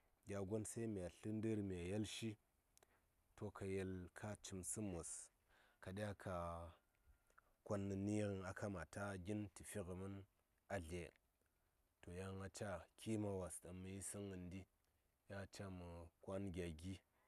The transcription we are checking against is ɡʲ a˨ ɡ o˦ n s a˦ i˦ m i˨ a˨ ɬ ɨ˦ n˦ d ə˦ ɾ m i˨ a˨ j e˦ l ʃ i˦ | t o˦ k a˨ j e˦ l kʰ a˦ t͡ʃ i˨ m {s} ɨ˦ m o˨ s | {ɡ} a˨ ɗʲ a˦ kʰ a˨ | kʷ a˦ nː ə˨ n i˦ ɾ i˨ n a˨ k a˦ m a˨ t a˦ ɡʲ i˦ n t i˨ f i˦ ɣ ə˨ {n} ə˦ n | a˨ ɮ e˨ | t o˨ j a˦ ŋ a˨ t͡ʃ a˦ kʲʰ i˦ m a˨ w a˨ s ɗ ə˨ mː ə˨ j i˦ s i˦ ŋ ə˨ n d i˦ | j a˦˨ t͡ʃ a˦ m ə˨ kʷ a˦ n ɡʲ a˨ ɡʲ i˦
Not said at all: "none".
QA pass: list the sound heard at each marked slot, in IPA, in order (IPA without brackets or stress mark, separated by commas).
s, k, m